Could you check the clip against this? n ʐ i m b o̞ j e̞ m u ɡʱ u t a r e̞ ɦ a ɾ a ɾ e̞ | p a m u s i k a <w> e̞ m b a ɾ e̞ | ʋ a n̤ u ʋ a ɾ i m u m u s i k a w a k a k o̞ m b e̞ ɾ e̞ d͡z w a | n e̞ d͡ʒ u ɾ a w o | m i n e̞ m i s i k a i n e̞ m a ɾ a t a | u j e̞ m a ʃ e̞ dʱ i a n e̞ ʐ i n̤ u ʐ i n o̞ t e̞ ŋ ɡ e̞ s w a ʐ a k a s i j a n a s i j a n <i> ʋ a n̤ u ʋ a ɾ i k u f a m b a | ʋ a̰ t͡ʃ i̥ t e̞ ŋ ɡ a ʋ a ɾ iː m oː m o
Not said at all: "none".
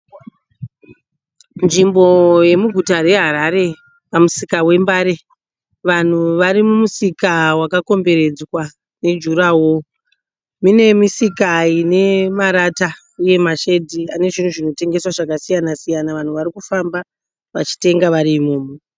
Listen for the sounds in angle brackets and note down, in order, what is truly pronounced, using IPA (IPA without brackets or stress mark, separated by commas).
w, a